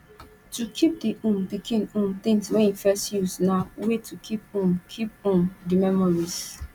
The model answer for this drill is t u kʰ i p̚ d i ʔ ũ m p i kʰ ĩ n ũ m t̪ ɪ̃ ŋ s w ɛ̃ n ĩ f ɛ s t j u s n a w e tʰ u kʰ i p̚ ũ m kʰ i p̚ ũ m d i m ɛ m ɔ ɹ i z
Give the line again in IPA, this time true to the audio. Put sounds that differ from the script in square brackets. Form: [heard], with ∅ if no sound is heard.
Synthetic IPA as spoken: t u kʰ i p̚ d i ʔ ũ m p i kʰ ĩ n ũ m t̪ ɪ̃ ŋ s w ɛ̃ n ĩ f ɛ s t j u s n a w e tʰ u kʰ i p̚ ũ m kʰ i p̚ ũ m d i m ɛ m ɔ ɹ i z